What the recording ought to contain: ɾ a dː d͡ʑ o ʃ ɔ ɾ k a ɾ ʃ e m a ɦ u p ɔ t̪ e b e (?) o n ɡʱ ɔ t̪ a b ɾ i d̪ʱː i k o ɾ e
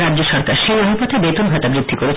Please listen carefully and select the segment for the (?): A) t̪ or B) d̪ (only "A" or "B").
A